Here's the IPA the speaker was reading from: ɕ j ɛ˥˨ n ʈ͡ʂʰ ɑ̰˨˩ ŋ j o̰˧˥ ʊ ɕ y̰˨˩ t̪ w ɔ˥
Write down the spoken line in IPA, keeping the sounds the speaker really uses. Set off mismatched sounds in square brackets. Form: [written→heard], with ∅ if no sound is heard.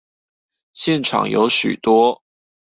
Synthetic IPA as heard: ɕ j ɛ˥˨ n ʈ͡ʂʰ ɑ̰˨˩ ŋ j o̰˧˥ ʊ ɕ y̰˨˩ t̪ w ɔ˥